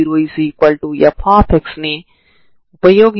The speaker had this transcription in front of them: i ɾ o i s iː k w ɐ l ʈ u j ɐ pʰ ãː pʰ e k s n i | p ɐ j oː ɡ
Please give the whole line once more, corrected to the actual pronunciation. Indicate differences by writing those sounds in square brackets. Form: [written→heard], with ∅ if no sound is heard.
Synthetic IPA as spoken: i ɾ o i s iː k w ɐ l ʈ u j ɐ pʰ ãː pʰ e k s n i | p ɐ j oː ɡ